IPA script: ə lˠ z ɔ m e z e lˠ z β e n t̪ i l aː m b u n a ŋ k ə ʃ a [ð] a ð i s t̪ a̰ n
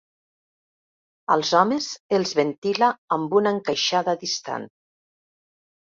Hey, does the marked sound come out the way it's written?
yes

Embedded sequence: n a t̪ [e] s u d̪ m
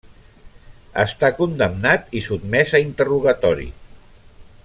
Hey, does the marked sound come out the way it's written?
no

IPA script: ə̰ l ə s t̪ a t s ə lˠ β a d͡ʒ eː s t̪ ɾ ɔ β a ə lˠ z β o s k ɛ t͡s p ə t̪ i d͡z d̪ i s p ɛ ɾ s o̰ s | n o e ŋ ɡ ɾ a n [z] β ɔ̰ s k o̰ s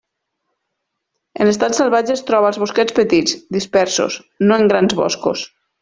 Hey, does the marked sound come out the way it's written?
yes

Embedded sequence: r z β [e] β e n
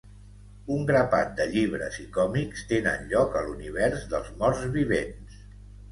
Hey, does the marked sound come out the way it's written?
no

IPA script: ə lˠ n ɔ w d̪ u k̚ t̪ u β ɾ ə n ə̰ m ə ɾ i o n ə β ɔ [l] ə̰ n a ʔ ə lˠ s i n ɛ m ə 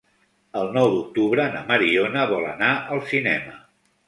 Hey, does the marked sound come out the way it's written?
yes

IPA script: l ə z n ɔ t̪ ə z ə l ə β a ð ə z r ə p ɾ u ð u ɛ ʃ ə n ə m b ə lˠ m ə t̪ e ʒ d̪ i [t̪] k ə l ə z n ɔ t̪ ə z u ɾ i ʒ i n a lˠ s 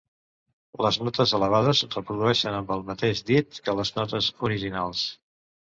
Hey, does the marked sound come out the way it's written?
yes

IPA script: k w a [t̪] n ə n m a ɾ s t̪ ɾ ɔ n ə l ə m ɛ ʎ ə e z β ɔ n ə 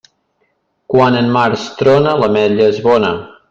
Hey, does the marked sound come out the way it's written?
no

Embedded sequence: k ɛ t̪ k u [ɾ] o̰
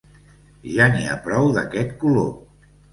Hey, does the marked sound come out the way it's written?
no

